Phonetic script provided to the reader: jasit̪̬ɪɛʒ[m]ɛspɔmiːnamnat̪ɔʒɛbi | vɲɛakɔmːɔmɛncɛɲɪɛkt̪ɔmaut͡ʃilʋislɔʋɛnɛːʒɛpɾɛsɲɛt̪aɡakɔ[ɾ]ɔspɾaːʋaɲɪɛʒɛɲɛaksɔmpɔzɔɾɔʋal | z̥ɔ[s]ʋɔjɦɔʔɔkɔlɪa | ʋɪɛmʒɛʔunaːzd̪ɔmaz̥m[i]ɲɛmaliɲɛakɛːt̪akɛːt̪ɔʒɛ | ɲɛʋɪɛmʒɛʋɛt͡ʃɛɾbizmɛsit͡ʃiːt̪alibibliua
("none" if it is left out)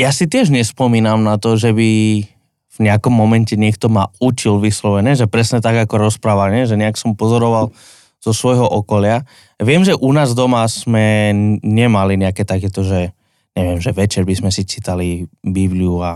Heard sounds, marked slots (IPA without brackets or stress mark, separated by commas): ɲ, ɾ, s, ɛ